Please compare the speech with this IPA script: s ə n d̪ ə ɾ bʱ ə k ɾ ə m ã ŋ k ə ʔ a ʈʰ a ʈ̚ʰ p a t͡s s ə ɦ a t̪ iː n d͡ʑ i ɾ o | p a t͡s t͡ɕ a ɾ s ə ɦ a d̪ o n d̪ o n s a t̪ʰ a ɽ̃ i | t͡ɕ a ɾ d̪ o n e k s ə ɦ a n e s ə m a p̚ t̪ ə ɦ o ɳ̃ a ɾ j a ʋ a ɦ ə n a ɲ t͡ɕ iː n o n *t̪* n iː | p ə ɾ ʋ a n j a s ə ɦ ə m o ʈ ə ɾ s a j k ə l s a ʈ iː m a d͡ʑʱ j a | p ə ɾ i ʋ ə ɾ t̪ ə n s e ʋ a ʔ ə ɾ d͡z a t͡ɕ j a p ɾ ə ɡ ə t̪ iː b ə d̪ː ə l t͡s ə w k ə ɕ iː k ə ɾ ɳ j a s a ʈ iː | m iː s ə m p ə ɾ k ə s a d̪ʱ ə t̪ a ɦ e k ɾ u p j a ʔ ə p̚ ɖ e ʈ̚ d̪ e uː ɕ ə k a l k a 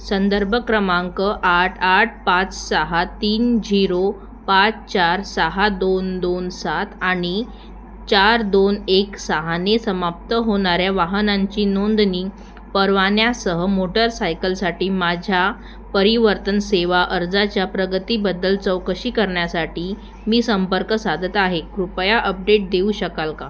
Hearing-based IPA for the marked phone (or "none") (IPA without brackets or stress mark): d̪